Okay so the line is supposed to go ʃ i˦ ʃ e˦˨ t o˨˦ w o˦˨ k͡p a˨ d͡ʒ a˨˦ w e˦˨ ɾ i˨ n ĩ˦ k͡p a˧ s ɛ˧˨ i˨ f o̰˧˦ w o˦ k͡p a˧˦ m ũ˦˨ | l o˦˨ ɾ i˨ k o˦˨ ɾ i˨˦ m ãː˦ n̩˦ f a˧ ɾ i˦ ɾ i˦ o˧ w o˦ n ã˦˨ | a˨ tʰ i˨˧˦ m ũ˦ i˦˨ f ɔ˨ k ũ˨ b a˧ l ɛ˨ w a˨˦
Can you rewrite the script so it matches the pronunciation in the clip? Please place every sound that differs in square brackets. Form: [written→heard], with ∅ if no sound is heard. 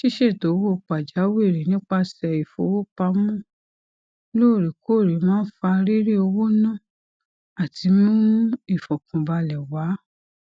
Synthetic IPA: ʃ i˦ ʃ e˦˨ t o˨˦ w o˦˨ k͡p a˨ d͡ʒ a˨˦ w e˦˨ ɾ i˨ n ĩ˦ k͡p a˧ s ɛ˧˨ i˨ f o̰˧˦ w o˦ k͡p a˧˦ m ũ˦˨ | l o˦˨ ɾ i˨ k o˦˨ ɾ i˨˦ m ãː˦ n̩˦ f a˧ ɾ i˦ ɾ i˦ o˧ w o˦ n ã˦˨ | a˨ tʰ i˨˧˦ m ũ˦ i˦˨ f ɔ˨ k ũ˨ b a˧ l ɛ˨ w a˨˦